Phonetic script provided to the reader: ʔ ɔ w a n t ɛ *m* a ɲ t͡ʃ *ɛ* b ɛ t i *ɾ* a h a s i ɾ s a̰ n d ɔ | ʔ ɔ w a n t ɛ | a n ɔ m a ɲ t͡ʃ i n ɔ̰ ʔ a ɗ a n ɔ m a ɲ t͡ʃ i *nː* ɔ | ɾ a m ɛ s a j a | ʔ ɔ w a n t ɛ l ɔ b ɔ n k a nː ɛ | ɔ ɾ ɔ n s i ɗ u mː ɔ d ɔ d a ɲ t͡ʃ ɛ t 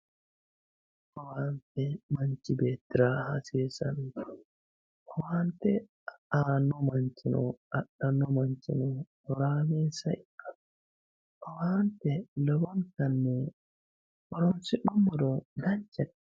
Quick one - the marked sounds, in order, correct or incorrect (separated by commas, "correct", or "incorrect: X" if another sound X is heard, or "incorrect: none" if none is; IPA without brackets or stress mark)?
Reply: correct, incorrect: i, correct, incorrect: n